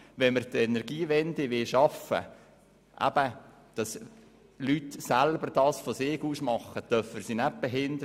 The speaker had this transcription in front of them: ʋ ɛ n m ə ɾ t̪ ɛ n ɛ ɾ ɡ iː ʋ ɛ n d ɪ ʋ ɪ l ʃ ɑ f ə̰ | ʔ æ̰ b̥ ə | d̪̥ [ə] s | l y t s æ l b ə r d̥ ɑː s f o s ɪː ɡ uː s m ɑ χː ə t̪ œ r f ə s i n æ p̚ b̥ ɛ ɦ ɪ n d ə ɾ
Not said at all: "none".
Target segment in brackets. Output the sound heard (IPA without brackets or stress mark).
ɑ